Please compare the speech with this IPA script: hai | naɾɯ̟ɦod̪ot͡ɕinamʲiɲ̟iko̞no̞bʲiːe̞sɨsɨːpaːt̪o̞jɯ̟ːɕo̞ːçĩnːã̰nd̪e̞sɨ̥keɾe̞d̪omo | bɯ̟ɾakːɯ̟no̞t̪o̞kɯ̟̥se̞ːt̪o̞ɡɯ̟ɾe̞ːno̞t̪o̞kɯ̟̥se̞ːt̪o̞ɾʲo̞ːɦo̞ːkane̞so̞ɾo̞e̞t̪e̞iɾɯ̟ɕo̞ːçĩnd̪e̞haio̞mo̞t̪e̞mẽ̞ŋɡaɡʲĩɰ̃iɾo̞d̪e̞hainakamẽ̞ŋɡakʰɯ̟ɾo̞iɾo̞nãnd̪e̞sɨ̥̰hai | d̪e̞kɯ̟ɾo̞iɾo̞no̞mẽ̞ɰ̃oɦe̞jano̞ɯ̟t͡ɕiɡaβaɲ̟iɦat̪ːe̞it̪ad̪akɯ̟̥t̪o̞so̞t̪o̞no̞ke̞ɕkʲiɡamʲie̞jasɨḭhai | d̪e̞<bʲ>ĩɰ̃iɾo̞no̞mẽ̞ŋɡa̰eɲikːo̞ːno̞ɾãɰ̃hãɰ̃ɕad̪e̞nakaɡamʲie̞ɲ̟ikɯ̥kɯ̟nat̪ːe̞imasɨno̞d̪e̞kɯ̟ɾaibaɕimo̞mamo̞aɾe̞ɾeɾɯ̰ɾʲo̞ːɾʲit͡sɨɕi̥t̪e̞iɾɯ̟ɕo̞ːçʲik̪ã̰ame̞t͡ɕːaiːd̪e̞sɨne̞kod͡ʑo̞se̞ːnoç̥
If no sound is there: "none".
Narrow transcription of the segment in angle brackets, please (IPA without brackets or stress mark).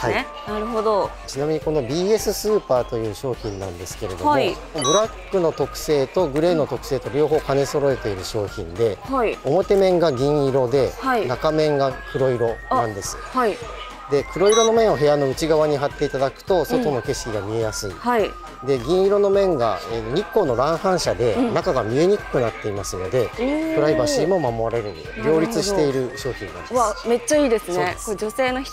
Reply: ɡʲ